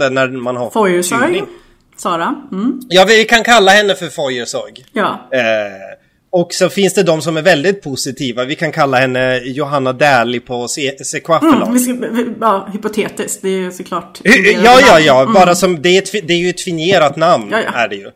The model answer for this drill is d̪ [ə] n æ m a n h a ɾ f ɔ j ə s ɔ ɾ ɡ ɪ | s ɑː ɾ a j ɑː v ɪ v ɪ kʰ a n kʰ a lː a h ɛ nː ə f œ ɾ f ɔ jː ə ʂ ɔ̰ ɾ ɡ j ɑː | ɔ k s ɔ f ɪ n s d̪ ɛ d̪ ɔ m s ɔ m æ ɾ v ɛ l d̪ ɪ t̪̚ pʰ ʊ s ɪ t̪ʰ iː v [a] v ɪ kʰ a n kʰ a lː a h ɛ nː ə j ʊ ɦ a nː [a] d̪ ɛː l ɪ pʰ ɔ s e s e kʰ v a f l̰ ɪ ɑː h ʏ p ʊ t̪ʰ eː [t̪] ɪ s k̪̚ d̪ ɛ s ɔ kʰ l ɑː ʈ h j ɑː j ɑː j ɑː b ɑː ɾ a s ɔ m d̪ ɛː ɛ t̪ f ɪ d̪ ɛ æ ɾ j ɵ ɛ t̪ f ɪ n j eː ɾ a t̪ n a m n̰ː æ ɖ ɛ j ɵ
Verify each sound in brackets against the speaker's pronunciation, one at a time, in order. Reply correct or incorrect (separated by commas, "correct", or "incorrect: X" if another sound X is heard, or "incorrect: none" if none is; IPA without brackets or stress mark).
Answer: correct, correct, correct, correct